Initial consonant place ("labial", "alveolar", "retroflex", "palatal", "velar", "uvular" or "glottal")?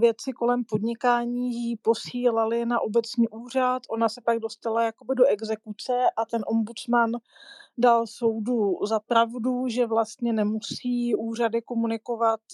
labial